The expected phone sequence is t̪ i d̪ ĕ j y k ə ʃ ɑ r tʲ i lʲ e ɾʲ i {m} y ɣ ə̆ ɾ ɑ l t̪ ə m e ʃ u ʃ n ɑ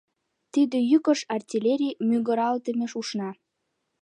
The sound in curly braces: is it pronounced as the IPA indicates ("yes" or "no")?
yes